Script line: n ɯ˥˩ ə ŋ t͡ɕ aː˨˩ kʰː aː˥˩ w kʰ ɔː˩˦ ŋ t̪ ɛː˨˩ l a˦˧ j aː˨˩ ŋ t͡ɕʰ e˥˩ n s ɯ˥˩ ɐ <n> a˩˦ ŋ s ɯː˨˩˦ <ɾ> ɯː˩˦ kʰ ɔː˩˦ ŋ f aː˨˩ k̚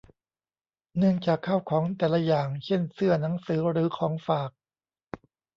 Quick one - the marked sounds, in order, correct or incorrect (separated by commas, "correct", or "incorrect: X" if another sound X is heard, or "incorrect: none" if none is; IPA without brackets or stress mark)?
correct, correct